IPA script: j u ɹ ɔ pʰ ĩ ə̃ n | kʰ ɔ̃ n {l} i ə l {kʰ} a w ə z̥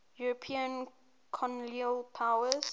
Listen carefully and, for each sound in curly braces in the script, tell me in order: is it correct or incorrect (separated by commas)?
correct, incorrect